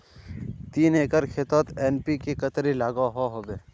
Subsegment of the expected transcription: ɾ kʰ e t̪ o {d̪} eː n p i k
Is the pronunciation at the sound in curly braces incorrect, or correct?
incorrect